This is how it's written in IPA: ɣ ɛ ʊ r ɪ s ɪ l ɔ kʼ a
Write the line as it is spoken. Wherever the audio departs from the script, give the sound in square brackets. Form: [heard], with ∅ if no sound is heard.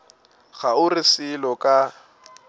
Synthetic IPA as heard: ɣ [a] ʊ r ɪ s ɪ l ɔ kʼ a